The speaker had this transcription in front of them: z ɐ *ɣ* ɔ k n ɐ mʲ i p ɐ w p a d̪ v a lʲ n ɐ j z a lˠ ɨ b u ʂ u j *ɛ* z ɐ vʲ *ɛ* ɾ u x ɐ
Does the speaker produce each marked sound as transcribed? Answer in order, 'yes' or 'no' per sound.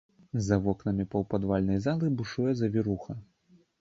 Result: no, yes, no

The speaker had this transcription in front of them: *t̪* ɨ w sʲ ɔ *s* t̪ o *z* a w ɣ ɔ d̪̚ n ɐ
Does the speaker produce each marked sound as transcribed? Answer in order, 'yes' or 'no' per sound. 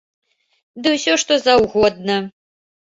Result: no, no, yes

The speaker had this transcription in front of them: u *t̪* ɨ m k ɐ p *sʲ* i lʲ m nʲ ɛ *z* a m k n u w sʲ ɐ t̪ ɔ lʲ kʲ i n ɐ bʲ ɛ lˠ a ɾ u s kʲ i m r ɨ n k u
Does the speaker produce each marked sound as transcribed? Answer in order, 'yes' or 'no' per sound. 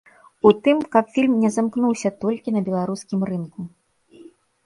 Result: yes, no, yes

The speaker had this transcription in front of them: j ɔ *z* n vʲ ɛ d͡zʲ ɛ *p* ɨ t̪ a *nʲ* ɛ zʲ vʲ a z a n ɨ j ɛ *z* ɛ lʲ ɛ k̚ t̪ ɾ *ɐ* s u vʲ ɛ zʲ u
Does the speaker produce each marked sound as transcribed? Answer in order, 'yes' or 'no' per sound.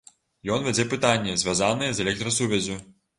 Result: no, yes, no, yes, yes

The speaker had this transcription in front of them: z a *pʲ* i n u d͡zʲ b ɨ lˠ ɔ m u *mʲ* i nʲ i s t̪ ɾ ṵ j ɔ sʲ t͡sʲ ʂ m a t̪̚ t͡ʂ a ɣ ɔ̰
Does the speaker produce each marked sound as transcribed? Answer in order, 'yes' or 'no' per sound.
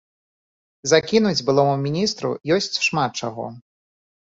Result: no, yes

